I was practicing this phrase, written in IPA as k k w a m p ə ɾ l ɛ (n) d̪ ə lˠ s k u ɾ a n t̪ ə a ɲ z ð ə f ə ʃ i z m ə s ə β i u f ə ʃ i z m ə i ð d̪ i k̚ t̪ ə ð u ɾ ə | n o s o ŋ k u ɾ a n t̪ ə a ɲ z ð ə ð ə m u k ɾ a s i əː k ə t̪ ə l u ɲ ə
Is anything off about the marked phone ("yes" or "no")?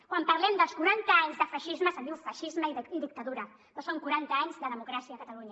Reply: yes